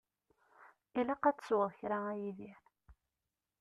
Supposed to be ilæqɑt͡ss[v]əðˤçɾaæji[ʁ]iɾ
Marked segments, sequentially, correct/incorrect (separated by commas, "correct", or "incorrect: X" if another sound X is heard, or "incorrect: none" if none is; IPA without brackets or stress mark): incorrect: w, incorrect: ð